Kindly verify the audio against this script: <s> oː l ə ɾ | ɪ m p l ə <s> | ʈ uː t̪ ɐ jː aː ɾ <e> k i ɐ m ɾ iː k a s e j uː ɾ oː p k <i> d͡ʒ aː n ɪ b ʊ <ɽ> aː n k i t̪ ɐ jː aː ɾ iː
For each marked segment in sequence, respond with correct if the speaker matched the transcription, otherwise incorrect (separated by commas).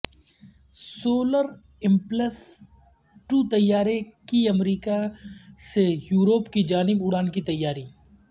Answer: correct, correct, correct, correct, correct